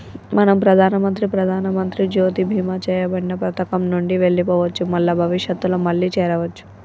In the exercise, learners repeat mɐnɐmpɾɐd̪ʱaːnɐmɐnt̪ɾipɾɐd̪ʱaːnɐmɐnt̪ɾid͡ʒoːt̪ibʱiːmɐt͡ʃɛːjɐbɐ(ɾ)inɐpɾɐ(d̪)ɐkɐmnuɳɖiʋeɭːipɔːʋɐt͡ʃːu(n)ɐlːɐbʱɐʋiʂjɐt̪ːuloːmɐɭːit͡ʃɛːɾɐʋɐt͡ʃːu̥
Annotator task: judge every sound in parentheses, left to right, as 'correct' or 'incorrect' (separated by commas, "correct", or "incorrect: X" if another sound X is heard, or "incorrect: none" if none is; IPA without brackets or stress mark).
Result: incorrect: ɽ, incorrect: t̪, incorrect: m